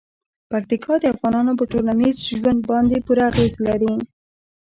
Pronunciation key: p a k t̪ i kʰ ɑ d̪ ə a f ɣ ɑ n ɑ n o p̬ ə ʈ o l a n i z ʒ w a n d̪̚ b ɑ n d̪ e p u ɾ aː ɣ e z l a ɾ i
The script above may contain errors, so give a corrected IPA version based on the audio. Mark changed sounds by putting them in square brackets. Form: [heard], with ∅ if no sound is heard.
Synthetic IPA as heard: p a k t̪ i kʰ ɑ d̪ ə a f ɣ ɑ n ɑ n o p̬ ə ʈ o l a n i z ʒ w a n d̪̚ b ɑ n d̪ e p u ɾ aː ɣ e z l a ɾ i